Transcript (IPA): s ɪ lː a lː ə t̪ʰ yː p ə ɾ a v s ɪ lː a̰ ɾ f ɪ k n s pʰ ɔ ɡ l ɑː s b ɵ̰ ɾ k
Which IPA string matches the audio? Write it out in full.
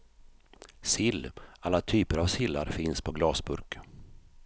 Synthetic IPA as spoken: s ɪ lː a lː a t̪ʰ yː p ə ɾ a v s ɪ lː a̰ ɾ f ɪ n s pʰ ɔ ɡ l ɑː s b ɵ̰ ɾ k